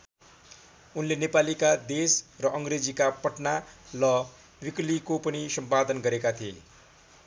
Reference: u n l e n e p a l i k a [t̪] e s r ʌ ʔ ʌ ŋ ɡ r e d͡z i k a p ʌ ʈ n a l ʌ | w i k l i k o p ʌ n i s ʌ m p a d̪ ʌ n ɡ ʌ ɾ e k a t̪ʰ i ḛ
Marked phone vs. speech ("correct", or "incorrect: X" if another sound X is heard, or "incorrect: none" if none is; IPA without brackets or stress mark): incorrect: d̪